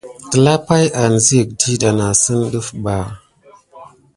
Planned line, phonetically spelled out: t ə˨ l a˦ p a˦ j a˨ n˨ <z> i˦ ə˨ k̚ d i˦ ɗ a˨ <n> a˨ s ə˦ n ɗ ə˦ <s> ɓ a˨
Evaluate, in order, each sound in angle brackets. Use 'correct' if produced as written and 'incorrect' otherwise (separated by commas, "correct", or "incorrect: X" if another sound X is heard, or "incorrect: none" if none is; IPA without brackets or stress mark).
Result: correct, correct, incorrect: f